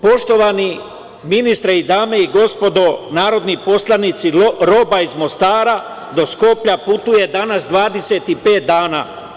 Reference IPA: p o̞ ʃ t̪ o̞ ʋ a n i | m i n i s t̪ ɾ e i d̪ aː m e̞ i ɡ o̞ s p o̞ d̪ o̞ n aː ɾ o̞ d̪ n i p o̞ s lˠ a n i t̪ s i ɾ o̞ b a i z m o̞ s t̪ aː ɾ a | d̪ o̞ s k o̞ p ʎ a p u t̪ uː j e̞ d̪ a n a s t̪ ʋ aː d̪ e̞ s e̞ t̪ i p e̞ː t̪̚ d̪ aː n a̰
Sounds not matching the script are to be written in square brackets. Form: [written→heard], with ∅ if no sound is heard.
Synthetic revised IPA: p o̞ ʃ t̪ o̞ ʋ a n i | m i n i s t̪ ɾ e i d̪ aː m e̞ i ɡ o̞ s p o̞ d̪ o̞ n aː ɾ o̞ d̪ n i p o̞ s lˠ a n i t̪ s i ɾ o̞ b a i z m o̞ s t̪ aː ɾ a | d̪ o̞ s k o̞ p ʎ a p u t̪ [uː→u] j e̞ d̪ a n a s [t̪→d̪] ʋ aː d̪ e̞ s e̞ t̪ i p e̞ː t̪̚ d̪ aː n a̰